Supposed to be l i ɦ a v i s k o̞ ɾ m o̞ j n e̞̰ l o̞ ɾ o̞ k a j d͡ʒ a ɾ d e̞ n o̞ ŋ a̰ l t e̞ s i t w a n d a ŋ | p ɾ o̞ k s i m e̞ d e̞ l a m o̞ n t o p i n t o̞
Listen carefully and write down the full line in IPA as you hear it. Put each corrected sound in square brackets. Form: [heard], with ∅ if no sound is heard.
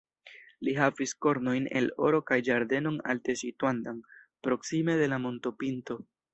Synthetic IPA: l i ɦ a v i s k o̞ ɾ [n] o̞ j n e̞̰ l o̞ ɾ o̞ k a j d͡ʒ a ɾ d e̞ n o̞ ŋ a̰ l t e̞ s i t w a n d a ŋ | p ɾ o̞ k s i m e̞ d e̞ l a m o̞ n t o p i n t o̞